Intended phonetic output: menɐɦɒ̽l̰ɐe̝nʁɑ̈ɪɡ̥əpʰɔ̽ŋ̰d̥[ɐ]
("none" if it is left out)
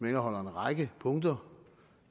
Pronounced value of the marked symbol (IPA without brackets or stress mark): ɐ